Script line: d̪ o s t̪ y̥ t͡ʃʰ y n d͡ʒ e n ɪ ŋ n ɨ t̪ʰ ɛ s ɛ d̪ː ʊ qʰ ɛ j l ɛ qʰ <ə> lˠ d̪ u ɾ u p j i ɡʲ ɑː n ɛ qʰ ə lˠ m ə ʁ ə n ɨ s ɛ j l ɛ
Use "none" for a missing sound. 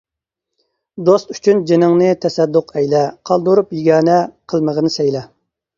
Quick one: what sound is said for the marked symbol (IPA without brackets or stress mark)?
ɑ